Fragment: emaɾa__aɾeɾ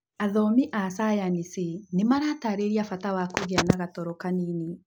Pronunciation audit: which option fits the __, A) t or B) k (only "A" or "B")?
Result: A